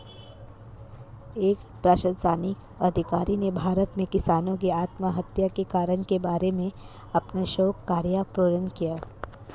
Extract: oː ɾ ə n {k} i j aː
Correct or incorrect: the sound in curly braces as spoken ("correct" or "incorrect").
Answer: correct